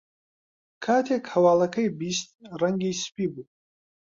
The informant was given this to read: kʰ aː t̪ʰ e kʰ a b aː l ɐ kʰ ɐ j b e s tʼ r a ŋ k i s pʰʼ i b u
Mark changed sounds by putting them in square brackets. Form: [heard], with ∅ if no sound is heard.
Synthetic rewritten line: kʰ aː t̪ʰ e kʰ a [w] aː l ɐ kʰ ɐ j b [i] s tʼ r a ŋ [ɡ] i s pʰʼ i b u